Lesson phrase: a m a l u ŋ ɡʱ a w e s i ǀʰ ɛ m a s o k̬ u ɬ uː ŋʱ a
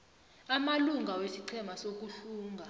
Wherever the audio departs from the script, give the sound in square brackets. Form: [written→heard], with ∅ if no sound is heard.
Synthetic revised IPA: a m a l u ŋ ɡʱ a w e s i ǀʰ ɛ m a s o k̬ u ɬ uː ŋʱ a